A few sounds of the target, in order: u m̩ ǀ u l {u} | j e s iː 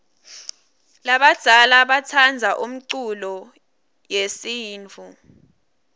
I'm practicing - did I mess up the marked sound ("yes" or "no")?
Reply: yes